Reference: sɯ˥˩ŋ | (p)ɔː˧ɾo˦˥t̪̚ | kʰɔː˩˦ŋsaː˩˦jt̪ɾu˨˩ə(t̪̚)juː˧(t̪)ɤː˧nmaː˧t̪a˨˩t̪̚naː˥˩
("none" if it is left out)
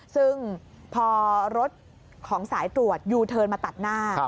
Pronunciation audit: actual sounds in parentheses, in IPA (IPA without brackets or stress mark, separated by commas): pʰ, t̪̚, t̪ʰ